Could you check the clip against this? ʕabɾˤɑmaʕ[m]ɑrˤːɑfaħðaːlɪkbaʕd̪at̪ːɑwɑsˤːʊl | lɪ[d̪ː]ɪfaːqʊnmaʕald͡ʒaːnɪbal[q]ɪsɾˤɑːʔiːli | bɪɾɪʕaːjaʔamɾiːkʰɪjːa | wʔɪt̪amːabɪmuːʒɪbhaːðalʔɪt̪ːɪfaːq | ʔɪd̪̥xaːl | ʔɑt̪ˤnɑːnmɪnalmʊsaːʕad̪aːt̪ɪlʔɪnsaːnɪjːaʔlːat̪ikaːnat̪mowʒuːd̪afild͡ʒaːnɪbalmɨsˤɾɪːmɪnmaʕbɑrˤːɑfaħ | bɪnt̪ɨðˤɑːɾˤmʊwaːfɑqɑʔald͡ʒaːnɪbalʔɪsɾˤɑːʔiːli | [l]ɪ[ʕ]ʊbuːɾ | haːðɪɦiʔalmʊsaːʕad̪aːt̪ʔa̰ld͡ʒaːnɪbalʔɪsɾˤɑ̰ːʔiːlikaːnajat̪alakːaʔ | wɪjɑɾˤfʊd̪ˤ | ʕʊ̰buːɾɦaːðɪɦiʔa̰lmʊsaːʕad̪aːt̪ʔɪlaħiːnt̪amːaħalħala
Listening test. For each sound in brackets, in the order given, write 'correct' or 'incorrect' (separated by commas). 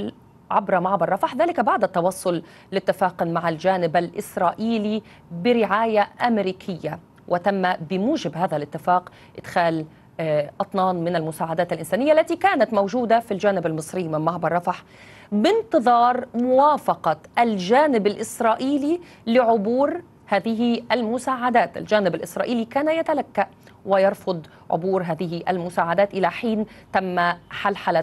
incorrect, incorrect, incorrect, correct, correct